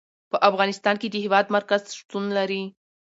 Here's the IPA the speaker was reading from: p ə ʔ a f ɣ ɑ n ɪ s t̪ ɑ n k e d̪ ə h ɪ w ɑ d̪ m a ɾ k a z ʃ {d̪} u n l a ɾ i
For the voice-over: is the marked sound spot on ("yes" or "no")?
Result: no